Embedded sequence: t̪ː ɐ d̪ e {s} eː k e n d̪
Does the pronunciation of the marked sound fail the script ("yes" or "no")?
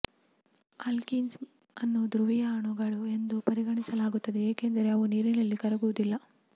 yes